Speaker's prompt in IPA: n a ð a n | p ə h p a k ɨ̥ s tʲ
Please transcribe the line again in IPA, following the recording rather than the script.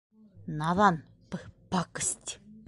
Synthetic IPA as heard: n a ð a n | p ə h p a k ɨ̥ s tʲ